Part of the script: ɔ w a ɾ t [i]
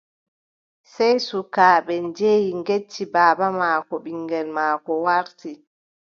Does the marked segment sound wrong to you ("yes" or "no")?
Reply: no